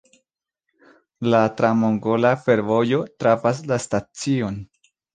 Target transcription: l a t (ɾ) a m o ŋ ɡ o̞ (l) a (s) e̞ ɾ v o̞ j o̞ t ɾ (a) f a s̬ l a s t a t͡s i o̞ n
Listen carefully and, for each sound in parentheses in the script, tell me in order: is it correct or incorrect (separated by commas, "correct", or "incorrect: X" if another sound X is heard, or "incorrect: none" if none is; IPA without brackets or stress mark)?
correct, correct, incorrect: f, correct